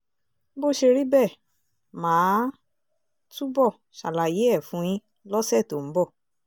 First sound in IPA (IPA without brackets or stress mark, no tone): b